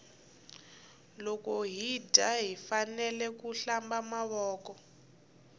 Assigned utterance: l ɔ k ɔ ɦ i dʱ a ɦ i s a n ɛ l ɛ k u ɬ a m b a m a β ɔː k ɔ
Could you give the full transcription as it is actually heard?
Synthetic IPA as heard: l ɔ k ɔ ɦ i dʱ a ɦ i f a n ɛ l ɛ k u ɬ a m b a m a β ɔː k ɔ